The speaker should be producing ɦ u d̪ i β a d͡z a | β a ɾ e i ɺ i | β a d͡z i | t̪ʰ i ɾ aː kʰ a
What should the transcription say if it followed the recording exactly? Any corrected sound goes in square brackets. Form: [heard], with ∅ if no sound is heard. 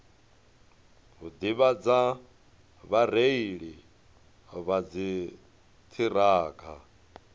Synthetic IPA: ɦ u d̪ i β a d͡z a | β a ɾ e i ɺ i | β a d͡z i | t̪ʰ i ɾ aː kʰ a